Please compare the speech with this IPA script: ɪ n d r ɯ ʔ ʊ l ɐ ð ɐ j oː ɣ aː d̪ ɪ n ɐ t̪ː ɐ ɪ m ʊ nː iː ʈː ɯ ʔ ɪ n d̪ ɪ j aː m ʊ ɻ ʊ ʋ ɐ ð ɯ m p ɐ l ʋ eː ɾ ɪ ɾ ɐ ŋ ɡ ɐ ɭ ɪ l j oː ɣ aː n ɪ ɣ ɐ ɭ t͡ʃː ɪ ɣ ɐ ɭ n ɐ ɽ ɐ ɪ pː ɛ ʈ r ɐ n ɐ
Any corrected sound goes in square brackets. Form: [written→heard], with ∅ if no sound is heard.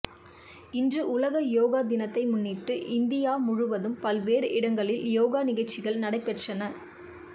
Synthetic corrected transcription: ɪ n d r ɯ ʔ ʊ l ɐ [ð→ɣ] ɐ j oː ɣ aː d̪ ɪ n ɐ t̪ː ɐ ɪ m ʊ nː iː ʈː ɯ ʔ ɪ n d̪ ɪ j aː m ʊ ɻ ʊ ʋ ɐ ð ɯ m p ɐ l ʋ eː ɾ ɪ [ɾ→ɽ] ɐ ŋ ɡ ɐ ɭ ɪ l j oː ɣ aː n ɪ ɣ ɐ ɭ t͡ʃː ɪ ɣ ɐ ɭ n ɐ ɽ ɐ ɪ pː ɛ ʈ r ɐ n ɐ

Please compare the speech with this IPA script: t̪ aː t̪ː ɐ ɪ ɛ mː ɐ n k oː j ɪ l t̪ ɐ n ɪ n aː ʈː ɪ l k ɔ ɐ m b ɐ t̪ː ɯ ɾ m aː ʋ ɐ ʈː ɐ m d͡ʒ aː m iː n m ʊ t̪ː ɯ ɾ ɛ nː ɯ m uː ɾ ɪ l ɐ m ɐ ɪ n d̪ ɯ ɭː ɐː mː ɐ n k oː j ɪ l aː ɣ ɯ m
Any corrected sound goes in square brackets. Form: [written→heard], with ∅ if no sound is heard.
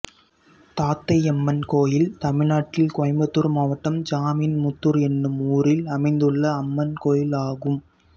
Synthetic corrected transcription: t̪ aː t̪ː ɐ ɪ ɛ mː ɐ n k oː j ɪ l t̪ ɐ [n→m] ɪ n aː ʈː ɪ l k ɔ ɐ m b ɐ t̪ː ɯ ɾ m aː ʋ ɐ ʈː ɐ m d͡ʒ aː m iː n m ʊ t̪ː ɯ ɾ ɛ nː ɯ m uː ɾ ɪ l ɐ m ɐ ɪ n d̪ ɯ ɭː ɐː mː ɐ n k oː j ɪ l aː ɣ ɯ m

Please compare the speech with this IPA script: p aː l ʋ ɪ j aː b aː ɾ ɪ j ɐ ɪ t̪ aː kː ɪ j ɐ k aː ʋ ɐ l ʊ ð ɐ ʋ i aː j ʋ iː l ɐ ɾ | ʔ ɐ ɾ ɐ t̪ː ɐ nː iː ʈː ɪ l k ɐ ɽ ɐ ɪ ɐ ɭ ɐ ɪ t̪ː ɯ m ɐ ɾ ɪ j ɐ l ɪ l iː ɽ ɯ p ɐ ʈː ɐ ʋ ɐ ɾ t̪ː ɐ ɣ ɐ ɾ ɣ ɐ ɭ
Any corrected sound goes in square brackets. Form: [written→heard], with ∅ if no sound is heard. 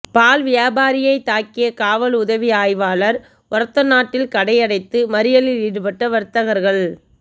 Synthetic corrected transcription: p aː l ʋ ɪ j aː b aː ɾ ɪ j ɐ ɪ t̪ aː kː ɪ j ɐ k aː ʋ ɐ l ʊ ð ɐ ʋ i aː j ʋ [iː→aː] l ɐ ɾ | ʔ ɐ ɾ ɐ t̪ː ɐ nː [iː→aː] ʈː ɪ l k ɐ ɽ ɐ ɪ ɐ [ɭ→ɽ] ɐ ɪ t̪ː ɯ m ɐ ɾ ɪ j ɐ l ɪ l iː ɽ ɯ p ɐ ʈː ɐ ʋ ɐ ɾ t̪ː ɐ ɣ ɐ ɾ ɣ ɐ ɭ

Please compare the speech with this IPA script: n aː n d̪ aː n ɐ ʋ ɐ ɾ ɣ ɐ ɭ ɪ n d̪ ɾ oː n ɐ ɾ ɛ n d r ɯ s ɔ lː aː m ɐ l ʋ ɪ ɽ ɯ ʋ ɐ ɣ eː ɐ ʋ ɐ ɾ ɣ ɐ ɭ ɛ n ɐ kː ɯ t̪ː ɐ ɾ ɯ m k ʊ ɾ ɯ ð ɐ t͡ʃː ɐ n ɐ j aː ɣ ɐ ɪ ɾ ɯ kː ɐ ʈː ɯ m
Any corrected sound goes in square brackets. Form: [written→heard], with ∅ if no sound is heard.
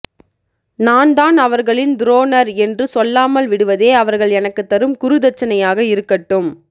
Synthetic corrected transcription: n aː n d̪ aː n ɐ ʋ ɐ ɾ ɣ ɐ ɭ ɪ n d̪ ɾ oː n ɐ ɾ ɛ n d r ɯ s ɔ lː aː m ɐ l ʋ ɪ ɽ ɯ ʋ ɐ [ɣ→ð] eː ɐ ʋ ɐ ɾ ɣ ɐ ɭ ɛ n ɐ kː ɯ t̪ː ɐ ɾ ɯ m k ʊ ɾ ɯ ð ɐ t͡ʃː ɐ n ɐ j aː ɣ ɐ ɪ ɾ ɯ kː ɐ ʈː ɯ m

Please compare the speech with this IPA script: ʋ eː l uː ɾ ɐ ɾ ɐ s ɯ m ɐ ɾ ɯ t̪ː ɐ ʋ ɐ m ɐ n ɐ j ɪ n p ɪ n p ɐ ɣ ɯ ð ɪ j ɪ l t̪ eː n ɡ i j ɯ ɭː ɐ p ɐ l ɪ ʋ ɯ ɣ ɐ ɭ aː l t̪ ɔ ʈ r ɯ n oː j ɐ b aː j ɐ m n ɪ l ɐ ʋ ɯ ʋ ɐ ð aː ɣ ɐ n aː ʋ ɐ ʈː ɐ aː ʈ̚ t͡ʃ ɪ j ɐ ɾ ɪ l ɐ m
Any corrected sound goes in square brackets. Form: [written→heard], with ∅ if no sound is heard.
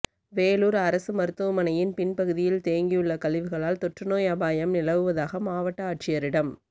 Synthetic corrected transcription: ʋ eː l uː ɾ ɐ ɾ ɐ s ɯ m ɐ ɾ ɯ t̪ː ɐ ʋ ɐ m ɐ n ɐ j ɪ n p ɪ n p ɐ ɣ ɯ ð ɪ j ɪ l t̪ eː [n→ŋ] ɡ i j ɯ ɭː ɐ [p→k] ɐ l ɪ ʋ ɯ ɣ ɐ ɭ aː l t̪ ɔ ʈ r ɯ n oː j ɐ b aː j ɐ m n ɪ l ɐ ʋ ɯ ʋ ɐ ð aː ɣ ɐ [n→m] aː ʋ ɐ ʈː ɐ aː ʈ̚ t͡ʃ ɪ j ɐ ɾ ɪ [l→ɽ] ɐ m

